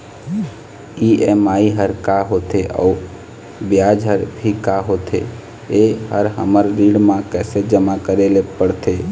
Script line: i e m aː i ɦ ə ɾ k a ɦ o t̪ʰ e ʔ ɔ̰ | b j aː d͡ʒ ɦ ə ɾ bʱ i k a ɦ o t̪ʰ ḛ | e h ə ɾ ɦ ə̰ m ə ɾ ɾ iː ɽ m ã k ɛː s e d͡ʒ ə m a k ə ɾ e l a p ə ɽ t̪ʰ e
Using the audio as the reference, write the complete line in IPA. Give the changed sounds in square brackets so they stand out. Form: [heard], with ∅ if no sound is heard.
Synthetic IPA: i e m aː i ɦ ə ɾ k a ɦ o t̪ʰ e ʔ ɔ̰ | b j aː d͡ʒ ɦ ə ɾ bʱ i k a ɦ o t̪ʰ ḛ | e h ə ɾ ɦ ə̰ m ə ɾ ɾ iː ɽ m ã k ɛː s e d͡ʒ ə m a k ə ɾ e l [e] p ə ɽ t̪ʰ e